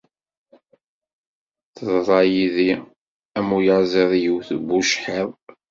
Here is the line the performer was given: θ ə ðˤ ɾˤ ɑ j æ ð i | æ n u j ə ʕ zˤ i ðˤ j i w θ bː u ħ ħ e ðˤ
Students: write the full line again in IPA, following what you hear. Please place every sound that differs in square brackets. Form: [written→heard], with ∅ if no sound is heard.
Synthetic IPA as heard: θ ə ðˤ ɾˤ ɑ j [æ→i] ð i | æ [n→m] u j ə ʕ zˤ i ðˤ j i w θ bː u [ħ→ʃ] ħ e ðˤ